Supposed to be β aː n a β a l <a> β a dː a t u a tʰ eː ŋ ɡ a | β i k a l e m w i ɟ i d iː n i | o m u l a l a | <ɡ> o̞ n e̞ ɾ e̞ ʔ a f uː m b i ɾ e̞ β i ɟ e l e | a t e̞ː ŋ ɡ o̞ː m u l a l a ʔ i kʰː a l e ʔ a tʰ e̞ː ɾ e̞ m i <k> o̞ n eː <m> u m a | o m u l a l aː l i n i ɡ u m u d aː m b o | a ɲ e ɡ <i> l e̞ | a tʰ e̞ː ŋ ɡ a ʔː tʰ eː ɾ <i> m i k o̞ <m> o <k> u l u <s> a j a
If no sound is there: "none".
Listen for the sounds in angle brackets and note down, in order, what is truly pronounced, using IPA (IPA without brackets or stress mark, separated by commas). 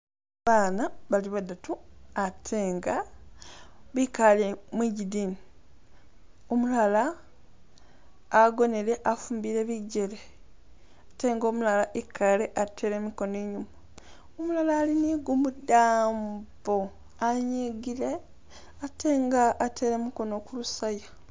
i, ɡ, k, ɲ, i, e, n, k, s